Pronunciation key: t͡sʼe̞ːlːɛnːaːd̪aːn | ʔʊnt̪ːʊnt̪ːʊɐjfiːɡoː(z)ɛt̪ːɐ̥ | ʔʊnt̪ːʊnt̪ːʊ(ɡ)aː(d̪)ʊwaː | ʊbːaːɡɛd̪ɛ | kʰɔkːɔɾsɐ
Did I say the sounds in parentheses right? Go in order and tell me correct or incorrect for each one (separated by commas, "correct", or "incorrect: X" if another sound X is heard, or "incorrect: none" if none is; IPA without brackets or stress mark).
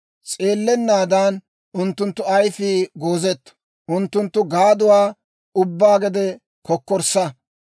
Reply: correct, correct, correct